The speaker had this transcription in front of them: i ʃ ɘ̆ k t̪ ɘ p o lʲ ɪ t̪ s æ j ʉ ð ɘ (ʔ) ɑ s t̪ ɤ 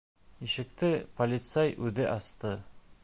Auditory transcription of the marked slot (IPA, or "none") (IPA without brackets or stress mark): ʔ